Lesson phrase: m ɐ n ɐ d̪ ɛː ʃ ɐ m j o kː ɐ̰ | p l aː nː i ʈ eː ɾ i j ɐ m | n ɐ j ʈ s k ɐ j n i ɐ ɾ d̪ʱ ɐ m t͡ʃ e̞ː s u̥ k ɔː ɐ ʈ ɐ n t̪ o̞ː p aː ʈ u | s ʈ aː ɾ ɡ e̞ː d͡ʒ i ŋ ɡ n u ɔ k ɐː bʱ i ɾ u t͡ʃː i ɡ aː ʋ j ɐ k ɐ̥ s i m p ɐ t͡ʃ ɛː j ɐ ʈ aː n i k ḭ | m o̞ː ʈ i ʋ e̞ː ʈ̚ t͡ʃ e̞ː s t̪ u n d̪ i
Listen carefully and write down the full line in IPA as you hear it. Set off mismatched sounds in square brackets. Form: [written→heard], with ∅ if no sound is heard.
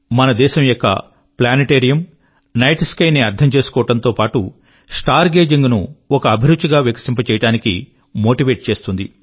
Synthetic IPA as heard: m ɐ n ɐ d̪ ɛː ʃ ɐ m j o kː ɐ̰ | p l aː [nː→n] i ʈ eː ɾ i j ɐ m | n ɐ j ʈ s k ɐ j n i ɐ ɾ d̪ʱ ɐ m t͡ʃ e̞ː s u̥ k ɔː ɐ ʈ ɐ n t̪ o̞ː p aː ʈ u | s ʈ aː ɾ ɡ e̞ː d͡ʒ i ŋ ɡ n u ɔ k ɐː bʱ i ɾ u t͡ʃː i ɡ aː ʋ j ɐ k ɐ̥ s i m p ɐ t͡ʃ ɛː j ɐ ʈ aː n i k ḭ | m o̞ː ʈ i ʋ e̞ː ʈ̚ t͡ʃ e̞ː s t̪ u n d̪ i